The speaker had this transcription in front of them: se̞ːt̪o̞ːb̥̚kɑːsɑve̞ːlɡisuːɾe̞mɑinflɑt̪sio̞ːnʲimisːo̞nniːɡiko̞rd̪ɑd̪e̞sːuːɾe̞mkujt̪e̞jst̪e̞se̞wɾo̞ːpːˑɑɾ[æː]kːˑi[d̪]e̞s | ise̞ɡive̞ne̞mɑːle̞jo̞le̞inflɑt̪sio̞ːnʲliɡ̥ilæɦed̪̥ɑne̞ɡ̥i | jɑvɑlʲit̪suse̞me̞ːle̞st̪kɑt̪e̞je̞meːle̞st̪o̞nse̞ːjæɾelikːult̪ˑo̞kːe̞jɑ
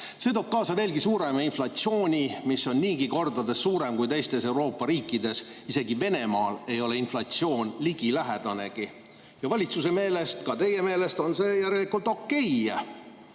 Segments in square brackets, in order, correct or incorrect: incorrect: iː, correct

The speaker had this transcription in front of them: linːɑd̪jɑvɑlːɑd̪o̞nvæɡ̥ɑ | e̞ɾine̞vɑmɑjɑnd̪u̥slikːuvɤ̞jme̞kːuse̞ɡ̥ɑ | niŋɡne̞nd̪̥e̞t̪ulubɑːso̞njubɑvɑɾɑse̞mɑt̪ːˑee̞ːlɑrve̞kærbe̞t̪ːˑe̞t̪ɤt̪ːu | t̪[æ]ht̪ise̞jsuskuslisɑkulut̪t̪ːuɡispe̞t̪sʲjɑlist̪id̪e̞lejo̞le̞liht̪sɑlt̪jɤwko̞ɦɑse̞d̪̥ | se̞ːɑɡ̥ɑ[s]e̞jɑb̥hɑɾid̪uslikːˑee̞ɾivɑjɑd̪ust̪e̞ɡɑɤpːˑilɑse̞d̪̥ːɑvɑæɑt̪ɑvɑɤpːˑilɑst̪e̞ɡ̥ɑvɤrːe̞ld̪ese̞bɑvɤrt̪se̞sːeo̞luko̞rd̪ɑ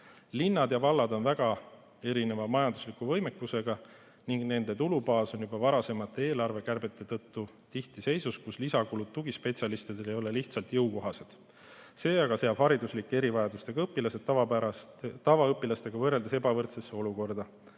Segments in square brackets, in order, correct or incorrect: incorrect: i, correct

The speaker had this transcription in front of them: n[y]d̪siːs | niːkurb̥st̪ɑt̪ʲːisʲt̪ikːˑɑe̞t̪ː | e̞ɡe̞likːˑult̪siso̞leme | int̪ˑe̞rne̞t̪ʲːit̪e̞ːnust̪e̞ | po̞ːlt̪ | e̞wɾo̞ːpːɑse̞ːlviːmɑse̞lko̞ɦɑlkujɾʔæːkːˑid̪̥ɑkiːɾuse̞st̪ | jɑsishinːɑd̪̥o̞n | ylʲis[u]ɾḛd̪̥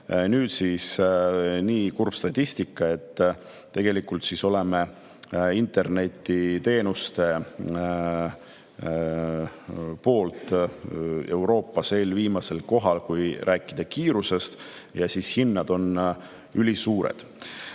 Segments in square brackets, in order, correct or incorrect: incorrect: yː, incorrect: uː

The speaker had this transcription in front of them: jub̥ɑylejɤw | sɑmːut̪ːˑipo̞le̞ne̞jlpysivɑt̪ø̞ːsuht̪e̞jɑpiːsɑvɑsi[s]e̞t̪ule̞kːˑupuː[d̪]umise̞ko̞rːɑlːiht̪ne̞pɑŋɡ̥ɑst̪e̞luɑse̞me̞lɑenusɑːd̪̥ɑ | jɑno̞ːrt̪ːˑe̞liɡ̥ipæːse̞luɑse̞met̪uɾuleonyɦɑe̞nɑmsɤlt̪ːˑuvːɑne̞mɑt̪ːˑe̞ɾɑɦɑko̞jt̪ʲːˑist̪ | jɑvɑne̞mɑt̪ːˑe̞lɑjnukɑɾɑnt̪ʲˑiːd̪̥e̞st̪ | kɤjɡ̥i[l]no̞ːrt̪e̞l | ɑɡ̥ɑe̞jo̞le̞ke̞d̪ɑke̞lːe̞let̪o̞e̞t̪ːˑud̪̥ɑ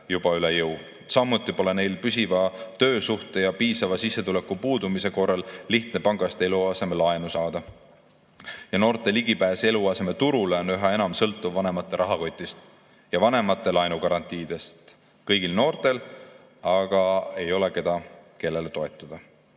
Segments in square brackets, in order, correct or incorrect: incorrect: sː, correct, correct

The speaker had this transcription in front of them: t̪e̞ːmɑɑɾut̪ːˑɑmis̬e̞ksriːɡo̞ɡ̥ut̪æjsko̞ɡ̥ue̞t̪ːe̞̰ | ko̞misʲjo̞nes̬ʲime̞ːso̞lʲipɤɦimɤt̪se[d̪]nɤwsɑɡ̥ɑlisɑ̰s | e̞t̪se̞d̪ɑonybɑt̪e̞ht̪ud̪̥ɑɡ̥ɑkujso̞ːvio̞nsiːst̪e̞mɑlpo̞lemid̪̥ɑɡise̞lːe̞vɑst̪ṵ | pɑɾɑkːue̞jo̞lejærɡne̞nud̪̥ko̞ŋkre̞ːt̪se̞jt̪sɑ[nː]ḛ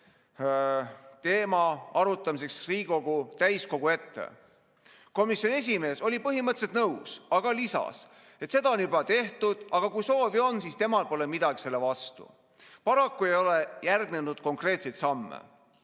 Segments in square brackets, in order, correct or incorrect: incorrect: t̪, incorrect: mː

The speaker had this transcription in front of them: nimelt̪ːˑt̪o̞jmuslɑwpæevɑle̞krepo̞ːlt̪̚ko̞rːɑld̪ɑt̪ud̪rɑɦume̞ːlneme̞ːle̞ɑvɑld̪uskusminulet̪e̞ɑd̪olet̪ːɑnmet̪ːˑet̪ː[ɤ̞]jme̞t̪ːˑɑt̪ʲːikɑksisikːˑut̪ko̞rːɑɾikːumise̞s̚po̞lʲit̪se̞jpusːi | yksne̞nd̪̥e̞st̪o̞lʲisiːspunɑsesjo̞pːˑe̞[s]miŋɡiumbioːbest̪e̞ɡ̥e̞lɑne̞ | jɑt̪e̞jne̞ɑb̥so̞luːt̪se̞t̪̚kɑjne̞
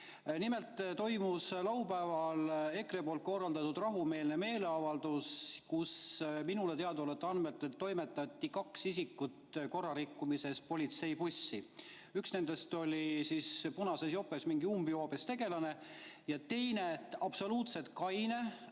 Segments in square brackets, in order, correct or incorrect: incorrect: o̞, correct

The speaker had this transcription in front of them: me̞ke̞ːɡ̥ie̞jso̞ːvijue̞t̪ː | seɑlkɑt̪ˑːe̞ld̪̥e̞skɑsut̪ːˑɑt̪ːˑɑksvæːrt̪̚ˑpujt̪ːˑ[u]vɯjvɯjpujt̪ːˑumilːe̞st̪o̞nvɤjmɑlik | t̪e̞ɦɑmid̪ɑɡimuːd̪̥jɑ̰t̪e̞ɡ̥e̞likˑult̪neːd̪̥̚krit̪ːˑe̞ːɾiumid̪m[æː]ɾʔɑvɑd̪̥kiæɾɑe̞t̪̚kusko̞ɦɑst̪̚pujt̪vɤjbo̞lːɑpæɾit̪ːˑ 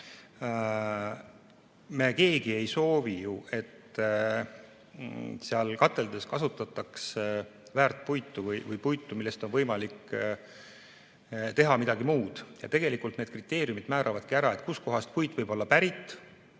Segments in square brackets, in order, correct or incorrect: correct, correct

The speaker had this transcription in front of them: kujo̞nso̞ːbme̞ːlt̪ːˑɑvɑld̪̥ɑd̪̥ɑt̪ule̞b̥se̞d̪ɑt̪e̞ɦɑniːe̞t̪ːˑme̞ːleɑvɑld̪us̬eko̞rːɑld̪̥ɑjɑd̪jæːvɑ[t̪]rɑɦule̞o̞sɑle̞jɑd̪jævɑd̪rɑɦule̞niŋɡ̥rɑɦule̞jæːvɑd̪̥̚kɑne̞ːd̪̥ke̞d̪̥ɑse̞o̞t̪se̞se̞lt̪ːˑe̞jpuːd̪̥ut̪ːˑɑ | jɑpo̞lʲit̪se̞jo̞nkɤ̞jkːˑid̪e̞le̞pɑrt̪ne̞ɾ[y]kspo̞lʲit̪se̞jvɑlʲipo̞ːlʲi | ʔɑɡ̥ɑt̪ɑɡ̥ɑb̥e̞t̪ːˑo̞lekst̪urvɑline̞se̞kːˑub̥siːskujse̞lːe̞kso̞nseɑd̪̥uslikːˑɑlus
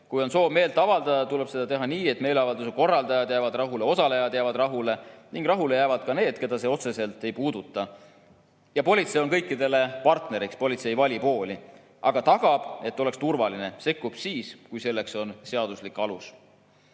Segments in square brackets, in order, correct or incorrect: incorrect: d̪, incorrect: i

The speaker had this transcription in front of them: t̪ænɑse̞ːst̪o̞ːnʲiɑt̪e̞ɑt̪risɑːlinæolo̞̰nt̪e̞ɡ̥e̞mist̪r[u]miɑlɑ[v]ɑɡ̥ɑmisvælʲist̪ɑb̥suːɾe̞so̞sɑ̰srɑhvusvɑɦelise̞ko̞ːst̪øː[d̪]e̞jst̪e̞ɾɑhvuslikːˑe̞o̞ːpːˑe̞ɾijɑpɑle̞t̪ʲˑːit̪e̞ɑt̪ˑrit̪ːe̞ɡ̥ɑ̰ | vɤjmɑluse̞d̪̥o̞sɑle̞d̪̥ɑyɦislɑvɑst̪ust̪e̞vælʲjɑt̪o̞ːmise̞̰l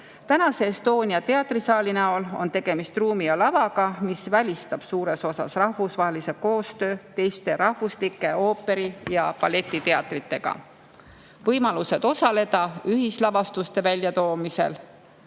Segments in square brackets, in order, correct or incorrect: incorrect: uː, correct, incorrect: t̪

